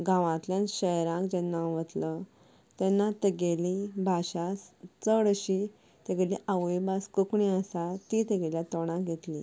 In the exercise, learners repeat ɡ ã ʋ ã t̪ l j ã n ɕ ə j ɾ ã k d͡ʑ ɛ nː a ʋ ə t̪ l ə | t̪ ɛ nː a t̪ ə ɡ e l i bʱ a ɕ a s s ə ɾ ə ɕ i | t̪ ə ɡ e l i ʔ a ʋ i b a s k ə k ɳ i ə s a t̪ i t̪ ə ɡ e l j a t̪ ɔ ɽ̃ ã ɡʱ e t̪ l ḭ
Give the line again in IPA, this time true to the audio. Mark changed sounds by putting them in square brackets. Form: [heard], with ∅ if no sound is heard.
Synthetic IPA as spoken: ɡ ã ʋ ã t̪ l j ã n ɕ ə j ɾ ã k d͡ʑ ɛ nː a ʋ ə t̪ l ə | t̪ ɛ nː a t̪ ə ɡ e l i bʱ a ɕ a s [t͡s] ə [ɽ] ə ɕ i | t̪ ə ɡ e l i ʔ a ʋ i b a s k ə k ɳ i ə s a t̪ i t̪ ə ɡ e l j a t̪ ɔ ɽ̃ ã ɡʱ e t̪ l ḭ

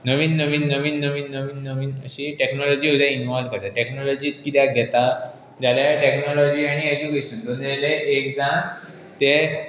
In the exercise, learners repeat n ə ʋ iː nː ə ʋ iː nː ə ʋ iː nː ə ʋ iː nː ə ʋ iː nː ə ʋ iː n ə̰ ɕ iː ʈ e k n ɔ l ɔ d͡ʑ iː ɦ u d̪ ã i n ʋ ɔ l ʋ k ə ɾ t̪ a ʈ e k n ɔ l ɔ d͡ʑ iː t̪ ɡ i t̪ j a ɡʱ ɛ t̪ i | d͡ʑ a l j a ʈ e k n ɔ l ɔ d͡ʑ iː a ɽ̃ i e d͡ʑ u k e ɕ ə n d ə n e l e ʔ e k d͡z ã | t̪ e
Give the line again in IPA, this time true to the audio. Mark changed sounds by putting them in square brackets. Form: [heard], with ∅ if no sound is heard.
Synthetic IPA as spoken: n ə ʋ iː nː ə ʋ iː nː ə ʋ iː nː ə ʋ iː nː ə ʋ iː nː ə ʋ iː n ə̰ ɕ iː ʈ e k n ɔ l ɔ d͡ʑ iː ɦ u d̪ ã i n ʋ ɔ l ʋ k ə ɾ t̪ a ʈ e k n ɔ l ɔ d͡ʑ iː t̪ [k] i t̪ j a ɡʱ ɛ t̪ [a] | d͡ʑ a l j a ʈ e k n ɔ l ɔ d͡ʑ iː a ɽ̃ i e d͡ʑ u k e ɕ ə n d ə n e l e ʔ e k d͡z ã | t̪ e

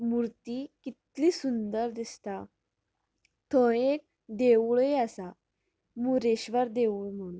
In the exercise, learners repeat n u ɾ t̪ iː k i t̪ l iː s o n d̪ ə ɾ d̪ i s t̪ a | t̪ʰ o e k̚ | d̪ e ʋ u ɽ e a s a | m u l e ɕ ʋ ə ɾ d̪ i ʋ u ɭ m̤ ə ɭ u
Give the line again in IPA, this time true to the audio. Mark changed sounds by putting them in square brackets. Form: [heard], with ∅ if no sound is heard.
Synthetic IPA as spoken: [m] u ɾ t̪ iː k i t̪ l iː s [u] n d̪ ə ɾ d̪ i s t̪ a | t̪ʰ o e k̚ | d̪ e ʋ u [ɭ] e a s a | m u [ɾ] e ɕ ʋ ə ɾ d̪ [e] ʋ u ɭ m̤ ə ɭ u

